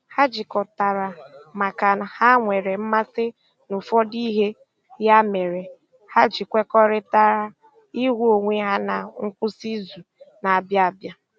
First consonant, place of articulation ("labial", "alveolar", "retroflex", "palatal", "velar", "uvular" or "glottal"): glottal